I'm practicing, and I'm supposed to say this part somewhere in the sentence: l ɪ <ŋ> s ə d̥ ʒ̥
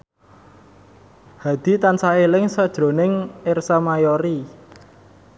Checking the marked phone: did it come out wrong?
no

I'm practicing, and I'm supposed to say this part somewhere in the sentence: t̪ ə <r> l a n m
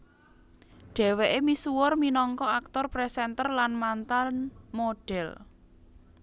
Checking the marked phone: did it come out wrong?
no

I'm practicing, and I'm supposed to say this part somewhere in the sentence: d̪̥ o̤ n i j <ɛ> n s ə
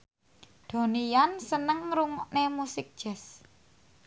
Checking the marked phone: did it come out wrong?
yes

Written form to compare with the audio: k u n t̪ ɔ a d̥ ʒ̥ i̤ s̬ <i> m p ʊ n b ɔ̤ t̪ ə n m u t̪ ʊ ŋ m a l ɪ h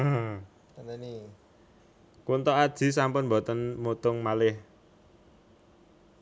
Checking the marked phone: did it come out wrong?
yes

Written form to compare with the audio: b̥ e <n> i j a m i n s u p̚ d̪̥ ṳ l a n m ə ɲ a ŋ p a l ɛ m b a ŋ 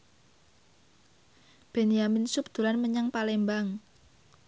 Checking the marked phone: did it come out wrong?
no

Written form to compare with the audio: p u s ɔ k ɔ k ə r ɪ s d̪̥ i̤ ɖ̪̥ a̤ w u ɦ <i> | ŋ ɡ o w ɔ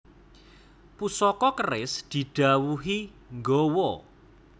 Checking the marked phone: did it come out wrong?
no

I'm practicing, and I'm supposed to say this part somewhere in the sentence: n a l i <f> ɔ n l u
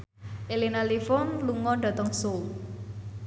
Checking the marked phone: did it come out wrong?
no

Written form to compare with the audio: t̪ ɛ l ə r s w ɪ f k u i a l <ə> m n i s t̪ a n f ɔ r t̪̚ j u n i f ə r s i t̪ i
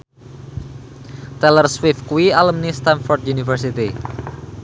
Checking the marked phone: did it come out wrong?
no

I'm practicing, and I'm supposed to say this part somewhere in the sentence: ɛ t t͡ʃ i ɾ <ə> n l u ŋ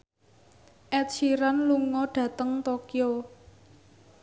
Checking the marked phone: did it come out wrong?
yes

